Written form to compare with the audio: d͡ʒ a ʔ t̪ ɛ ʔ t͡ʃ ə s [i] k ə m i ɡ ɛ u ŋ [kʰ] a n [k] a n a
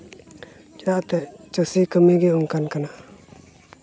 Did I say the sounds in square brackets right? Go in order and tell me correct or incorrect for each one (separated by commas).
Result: correct, incorrect, correct